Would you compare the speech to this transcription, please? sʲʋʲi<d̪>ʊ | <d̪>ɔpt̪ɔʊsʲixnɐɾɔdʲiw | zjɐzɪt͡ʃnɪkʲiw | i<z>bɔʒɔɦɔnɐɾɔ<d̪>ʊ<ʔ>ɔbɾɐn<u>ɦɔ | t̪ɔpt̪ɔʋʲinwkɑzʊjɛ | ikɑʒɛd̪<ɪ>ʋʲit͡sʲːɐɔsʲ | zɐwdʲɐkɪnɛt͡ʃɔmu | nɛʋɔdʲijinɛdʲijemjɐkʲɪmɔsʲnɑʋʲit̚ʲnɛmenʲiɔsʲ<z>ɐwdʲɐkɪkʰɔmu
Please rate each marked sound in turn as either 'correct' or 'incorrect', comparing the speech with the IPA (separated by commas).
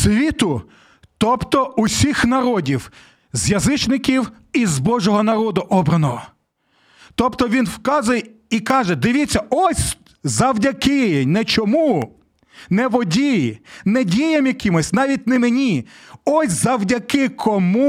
incorrect, incorrect, correct, correct, correct, incorrect, correct, correct